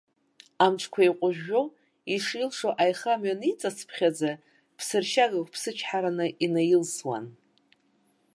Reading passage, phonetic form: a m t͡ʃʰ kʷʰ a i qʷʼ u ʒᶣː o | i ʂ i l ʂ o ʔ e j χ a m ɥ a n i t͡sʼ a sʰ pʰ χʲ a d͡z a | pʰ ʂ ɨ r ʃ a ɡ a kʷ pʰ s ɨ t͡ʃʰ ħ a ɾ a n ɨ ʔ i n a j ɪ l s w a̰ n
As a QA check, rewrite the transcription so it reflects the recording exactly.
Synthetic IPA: a m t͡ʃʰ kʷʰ a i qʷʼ ʊ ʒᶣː o | i ʂ i l ʂ o ʔ a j χ a m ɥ a n i t͡sʼ a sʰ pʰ χʲ a d͡z a | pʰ s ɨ r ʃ a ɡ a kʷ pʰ s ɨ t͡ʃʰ ħ a ɾ a n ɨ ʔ i n a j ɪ l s w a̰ n